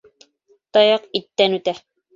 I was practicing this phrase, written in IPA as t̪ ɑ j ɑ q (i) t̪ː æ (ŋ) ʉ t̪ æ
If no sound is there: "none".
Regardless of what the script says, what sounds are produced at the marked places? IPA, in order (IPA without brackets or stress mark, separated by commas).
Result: i, n